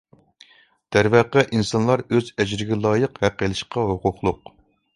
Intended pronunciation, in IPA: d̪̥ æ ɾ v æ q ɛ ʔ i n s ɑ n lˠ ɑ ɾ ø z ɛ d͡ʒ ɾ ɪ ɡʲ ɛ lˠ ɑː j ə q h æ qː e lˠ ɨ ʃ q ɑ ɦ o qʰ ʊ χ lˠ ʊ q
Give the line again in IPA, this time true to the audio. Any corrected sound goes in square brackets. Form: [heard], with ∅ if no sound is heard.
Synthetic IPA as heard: d̪̥ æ ɾ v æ q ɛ ʔ i n s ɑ n lˠ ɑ ɾ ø z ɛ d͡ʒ ɾ ɪ ɡʲ ɛ lˠ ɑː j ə q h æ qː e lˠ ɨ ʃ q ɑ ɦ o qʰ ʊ χ lˠ ʊ q